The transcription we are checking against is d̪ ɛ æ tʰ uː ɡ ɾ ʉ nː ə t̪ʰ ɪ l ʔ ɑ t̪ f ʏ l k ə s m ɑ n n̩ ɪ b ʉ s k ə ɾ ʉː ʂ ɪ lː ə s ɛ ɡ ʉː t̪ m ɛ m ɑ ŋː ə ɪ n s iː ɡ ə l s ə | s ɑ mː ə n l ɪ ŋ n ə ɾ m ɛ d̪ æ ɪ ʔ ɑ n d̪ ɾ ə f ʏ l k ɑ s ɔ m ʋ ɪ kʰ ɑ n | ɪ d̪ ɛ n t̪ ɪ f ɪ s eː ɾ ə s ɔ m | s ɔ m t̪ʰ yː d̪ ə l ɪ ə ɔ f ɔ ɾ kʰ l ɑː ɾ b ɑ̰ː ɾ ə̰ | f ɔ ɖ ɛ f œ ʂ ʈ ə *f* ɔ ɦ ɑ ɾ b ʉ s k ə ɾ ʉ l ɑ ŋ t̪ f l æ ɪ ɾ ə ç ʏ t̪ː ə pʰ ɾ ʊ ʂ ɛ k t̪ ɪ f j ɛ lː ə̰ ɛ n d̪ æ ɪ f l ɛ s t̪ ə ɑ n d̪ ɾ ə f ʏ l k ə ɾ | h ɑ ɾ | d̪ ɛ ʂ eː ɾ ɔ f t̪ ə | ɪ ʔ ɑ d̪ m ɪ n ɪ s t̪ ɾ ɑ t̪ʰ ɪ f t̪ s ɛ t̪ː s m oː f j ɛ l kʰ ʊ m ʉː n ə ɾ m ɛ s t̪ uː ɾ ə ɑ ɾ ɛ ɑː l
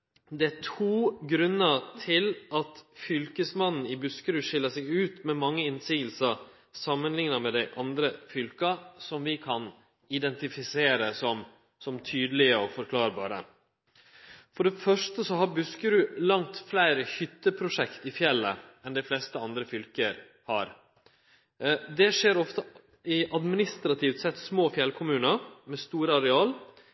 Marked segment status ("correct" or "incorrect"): incorrect